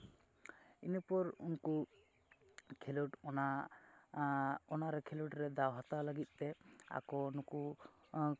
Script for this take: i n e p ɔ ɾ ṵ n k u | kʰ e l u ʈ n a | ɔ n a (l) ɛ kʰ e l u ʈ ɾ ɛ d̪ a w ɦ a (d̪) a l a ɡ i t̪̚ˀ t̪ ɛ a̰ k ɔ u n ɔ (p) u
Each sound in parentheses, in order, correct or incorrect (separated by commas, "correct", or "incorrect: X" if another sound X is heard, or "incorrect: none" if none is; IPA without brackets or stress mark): incorrect: ɾ, incorrect: t̪, incorrect: k